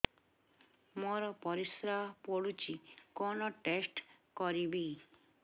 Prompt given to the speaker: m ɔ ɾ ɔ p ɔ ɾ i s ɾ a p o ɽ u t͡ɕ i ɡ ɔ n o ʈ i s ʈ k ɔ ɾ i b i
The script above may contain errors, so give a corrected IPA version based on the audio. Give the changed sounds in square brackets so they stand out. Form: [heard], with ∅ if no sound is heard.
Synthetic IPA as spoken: m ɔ ɾ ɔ p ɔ ɾ i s ɾ a p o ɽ u t͡ɕ i [k] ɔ n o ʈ [e] s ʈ k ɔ ɾ i b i